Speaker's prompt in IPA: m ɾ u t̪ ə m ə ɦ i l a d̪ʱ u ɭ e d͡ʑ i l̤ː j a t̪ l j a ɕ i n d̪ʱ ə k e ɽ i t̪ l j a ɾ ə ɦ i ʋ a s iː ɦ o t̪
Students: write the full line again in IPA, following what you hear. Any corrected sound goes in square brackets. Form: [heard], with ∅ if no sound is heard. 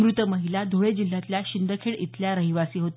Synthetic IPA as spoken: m ɾ u t̪ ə m ə ɦ i l a d̪ʱ [o] ɭ e d͡ʑ i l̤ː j a t̪ l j a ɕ i n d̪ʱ ə [kʰ] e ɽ i t̪ l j a ɾ ə ɦ i ʋ a s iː ɦ o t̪